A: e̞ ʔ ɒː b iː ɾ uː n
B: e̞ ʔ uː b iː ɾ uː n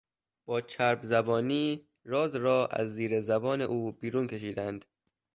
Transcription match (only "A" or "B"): B